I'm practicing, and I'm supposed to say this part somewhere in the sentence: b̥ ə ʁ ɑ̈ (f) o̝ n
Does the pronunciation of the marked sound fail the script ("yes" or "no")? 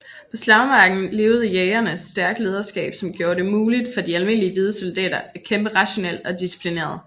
yes